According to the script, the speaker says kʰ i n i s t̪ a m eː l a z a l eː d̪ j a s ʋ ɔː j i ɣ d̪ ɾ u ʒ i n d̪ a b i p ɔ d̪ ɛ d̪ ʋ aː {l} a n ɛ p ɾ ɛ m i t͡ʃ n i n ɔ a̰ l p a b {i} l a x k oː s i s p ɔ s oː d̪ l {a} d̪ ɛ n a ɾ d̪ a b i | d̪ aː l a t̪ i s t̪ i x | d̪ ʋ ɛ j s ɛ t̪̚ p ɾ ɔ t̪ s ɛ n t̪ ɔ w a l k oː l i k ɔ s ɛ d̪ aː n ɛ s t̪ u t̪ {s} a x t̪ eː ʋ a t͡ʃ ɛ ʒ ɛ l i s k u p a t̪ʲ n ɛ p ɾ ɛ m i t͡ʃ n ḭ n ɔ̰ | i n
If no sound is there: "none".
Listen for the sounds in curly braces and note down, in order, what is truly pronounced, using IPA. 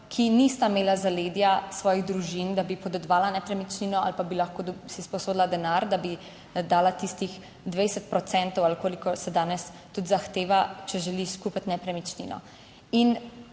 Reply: l, i, a, z

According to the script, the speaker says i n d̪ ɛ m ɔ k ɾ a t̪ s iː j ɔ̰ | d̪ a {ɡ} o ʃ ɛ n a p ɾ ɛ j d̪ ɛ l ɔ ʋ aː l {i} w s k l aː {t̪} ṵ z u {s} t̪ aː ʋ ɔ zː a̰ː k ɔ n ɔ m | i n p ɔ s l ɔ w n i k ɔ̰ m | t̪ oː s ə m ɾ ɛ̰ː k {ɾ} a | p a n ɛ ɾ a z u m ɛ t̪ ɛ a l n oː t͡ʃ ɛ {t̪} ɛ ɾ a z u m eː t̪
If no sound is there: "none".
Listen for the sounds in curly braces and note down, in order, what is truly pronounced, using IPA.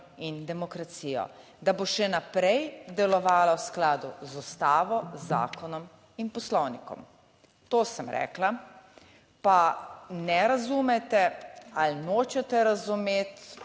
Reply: b, a, d̪, s, l, t̪

